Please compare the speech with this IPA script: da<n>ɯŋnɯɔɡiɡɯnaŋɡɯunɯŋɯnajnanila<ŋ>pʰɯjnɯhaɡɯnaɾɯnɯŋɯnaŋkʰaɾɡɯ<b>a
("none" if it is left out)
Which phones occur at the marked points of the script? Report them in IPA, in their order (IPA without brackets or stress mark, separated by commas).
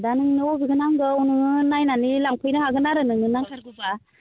n, ŋ, b